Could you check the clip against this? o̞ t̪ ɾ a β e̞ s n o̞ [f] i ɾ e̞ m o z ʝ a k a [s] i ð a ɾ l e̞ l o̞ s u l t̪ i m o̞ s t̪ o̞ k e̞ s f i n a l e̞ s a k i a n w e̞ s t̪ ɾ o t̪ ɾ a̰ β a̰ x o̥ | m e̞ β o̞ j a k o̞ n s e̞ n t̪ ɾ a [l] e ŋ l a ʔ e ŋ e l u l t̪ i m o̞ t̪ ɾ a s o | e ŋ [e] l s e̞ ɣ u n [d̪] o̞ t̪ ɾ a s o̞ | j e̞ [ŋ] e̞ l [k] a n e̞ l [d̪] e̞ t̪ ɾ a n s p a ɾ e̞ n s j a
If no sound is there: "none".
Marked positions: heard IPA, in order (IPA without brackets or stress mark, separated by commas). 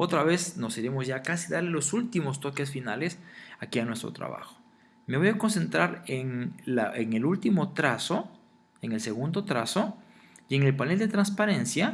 s, s, ɾ, e, d̪, ŋ, p, d̪